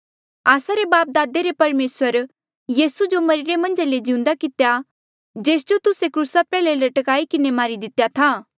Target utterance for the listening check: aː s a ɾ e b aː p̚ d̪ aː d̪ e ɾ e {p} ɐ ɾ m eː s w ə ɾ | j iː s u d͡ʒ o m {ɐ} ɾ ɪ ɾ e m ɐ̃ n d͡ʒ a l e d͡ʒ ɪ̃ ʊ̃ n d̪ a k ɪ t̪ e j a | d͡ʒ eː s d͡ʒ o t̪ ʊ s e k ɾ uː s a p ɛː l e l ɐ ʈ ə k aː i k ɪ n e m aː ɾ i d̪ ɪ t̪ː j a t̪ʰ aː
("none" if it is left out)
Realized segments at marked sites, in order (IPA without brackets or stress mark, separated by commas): p, ɐ